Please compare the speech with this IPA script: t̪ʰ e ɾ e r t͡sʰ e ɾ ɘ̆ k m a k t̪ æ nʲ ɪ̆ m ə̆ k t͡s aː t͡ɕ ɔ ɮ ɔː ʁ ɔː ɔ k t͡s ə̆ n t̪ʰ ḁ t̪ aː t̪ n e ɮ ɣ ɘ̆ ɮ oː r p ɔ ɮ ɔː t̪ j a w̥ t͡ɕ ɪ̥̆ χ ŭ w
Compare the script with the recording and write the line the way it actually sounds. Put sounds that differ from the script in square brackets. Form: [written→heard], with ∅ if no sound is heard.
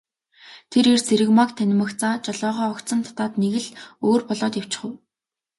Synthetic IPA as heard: t̪ʰ e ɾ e r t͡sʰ e ɾ ɘ̆ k m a k [t̪→t̪ʰ] æ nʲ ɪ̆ m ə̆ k t͡s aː t͡ɕ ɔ ɮ ɔː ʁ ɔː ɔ k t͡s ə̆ n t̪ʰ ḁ t̪ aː t̪ n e [ɮ→∅] ɣ ɘ̆ ɮ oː r p ɔ ɮ ɔː t̪ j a w̥ t͡ɕ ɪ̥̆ χ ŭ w